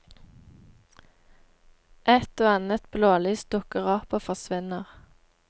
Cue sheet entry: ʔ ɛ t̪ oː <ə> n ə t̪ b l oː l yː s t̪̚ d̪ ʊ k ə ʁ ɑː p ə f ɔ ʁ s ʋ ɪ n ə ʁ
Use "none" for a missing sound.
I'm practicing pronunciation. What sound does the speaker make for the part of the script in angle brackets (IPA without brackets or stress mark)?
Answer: ɑ